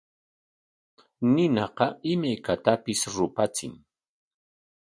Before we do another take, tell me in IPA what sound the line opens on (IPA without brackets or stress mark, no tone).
n